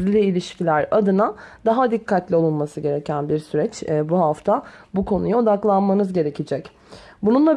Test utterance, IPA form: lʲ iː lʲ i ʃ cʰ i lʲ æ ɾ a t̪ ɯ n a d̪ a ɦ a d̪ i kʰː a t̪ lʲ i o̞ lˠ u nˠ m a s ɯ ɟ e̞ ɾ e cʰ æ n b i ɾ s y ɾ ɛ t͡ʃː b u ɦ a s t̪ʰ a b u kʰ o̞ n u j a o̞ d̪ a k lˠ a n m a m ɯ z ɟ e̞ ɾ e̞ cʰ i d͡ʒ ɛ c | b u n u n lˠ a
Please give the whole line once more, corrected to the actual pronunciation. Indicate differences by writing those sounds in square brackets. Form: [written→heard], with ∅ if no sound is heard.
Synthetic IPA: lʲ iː lʲ i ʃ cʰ i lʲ æ ɾ a [t̪→d̪] ɯ n a d̪ a ɦ a d̪ i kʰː a t̪ lʲ i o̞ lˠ u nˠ m a s ɯ ɟ e̞ ɾ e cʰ æ n b i ɾ s y ɾ ɛ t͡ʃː b u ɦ a [s→f] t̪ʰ a b u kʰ o̞ n u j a o̞ d̪ a k lˠ a n m a [m→n] ɯ z ɟ e̞ ɾ e̞ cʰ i d͡ʒ ɛ c | b u n u n lˠ a